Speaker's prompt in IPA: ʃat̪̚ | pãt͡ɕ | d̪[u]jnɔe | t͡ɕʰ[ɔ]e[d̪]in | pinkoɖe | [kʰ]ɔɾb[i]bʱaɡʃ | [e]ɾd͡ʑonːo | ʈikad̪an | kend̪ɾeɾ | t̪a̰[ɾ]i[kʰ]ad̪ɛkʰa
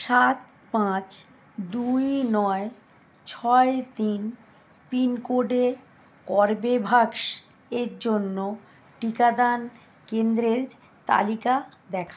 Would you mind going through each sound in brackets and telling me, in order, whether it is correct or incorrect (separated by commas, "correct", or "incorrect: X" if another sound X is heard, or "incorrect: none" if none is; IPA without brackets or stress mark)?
correct, correct, incorrect: t̪, incorrect: k, incorrect: e, correct, incorrect: l, incorrect: k